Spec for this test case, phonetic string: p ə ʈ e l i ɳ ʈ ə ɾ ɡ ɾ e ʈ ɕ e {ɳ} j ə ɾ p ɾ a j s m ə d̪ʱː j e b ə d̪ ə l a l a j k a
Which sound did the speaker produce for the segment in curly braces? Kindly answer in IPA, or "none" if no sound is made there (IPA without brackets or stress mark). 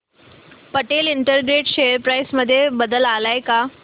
none